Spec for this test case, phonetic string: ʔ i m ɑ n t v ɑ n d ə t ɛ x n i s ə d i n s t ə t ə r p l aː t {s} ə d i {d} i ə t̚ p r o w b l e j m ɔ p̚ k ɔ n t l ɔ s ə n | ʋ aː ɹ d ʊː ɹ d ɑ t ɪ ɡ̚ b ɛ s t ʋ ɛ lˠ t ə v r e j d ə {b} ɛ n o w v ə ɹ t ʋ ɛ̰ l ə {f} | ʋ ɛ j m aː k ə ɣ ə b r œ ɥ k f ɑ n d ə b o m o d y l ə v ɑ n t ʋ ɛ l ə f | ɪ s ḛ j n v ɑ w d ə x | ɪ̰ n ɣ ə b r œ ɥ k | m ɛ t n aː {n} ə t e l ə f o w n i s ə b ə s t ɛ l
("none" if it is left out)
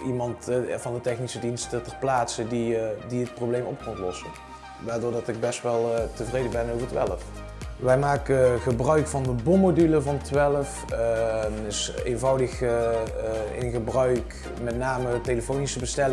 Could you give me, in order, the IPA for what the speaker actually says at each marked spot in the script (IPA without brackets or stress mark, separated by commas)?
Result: s, d, b, f, m